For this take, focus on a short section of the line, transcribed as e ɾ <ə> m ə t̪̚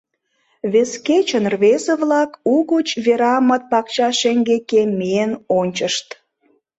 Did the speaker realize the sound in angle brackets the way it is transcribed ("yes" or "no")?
no